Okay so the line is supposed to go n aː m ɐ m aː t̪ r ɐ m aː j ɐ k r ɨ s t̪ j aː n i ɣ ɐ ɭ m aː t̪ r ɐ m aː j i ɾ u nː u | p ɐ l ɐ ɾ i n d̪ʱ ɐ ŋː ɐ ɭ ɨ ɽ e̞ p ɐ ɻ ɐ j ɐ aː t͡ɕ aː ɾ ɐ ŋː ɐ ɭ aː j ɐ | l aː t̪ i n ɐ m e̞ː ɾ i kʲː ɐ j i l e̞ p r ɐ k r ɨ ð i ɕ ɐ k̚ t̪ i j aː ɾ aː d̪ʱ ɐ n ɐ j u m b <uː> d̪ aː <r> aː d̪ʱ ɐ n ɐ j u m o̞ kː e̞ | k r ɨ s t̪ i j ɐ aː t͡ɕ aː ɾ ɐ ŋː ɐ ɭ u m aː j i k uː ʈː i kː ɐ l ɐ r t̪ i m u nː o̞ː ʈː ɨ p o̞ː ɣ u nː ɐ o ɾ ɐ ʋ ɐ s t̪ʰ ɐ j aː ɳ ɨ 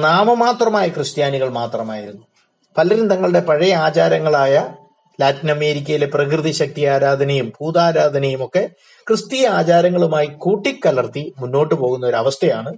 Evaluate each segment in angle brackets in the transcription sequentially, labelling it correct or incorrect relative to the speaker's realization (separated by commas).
correct, incorrect